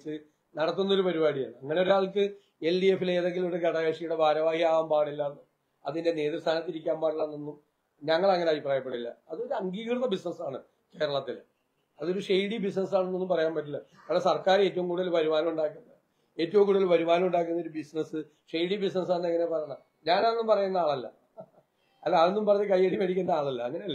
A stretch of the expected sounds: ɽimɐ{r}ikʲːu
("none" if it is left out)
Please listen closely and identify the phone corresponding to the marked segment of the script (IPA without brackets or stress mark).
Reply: ɽ